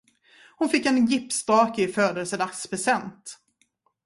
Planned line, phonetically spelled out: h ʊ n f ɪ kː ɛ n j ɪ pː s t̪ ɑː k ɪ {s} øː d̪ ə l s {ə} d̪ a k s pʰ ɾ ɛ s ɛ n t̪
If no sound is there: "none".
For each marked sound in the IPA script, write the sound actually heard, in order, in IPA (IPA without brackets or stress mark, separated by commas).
f, ə